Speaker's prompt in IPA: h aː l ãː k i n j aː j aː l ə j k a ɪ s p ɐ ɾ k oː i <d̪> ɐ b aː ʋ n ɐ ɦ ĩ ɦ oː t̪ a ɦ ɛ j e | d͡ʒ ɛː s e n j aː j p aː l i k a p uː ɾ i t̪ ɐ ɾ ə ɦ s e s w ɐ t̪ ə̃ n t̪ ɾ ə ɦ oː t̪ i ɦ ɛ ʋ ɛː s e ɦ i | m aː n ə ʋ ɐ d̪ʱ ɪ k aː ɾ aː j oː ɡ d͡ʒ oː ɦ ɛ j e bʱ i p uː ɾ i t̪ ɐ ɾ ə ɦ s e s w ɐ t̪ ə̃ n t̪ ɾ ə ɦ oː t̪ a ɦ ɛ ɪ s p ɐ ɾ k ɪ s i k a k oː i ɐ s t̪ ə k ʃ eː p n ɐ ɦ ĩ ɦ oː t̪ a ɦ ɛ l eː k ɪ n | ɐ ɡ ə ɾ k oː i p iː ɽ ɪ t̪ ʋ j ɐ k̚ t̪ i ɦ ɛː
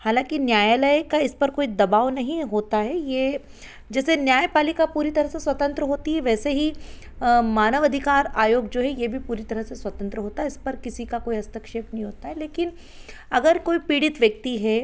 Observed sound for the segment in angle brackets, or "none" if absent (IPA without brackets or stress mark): d̪